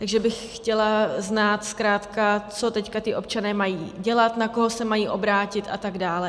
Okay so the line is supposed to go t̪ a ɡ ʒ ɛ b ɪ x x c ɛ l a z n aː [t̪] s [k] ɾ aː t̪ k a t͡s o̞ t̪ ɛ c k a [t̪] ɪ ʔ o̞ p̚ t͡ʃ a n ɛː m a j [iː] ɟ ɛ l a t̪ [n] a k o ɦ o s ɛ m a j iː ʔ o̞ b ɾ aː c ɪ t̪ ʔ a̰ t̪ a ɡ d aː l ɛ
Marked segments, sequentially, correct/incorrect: correct, correct, correct, correct, correct

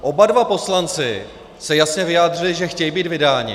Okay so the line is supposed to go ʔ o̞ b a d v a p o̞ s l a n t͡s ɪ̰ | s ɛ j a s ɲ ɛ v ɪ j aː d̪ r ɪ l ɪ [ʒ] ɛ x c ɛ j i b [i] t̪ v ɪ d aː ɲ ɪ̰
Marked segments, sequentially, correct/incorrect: correct, incorrect

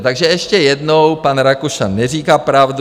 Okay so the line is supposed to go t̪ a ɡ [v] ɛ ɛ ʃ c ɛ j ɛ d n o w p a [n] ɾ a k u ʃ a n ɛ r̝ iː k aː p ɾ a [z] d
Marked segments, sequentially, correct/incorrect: incorrect, correct, incorrect

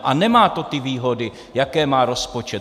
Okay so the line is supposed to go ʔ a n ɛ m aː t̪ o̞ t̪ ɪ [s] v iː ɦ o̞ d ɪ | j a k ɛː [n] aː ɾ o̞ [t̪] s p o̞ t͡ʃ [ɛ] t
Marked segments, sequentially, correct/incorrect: incorrect, incorrect, incorrect, correct

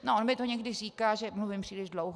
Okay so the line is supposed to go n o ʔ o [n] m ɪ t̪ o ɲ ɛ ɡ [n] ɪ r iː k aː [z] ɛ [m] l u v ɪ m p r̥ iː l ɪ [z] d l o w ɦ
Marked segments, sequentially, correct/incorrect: correct, incorrect, incorrect, correct, incorrect

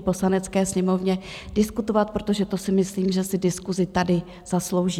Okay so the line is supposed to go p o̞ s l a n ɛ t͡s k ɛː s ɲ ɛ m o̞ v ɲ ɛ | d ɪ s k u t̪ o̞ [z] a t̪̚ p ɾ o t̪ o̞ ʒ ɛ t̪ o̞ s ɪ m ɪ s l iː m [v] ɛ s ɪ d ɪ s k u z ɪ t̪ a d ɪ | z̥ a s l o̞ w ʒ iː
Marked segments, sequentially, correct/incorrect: incorrect, incorrect

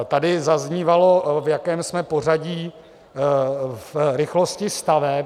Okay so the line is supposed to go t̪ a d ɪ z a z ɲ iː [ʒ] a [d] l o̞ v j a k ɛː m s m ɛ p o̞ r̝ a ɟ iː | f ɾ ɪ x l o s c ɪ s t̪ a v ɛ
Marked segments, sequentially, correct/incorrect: incorrect, incorrect

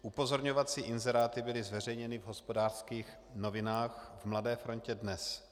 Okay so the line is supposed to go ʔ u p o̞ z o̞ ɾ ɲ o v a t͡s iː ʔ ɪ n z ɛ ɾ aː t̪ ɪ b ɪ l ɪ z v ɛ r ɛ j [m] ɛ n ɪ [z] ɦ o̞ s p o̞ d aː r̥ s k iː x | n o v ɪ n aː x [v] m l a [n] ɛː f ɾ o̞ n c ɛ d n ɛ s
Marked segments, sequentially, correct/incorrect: incorrect, incorrect, correct, incorrect

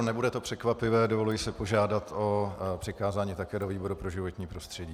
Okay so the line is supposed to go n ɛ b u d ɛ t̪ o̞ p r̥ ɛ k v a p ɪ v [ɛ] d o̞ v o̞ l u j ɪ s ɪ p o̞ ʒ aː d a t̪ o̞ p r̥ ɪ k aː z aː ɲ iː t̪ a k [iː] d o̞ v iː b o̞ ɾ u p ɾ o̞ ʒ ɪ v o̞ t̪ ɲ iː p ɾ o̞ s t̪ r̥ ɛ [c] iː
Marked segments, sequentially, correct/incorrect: incorrect, incorrect, incorrect

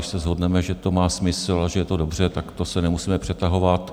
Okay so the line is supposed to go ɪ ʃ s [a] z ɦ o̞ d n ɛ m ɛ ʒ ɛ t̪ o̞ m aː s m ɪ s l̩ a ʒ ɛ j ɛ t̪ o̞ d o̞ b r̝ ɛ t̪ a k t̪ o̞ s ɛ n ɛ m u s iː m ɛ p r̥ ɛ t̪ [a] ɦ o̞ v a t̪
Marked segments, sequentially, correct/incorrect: incorrect, correct

